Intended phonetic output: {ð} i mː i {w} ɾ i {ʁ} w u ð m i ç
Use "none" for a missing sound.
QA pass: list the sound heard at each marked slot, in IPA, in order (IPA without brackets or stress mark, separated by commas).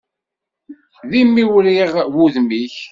ð, w, ʁ